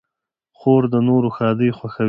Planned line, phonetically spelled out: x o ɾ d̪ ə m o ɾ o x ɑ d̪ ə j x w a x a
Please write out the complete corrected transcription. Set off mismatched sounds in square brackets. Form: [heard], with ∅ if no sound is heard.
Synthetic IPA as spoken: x o ɾ d̪ ə [n] o ɾ o x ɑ d̪ ə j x w a x a